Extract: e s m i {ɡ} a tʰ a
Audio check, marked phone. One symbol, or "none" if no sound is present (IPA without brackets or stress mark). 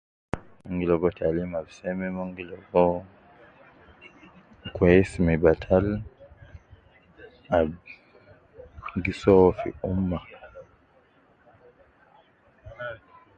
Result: b